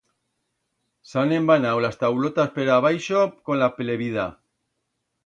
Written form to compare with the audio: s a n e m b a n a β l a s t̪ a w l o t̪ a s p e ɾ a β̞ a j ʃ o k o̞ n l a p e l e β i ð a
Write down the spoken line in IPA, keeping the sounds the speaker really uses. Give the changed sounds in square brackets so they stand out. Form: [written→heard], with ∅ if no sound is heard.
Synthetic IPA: s a n e m b a n a [β→w] l a s t̪ a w l o t̪ a s p e ɾ a β̞ a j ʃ o k o̞ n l a p e l e β i ð a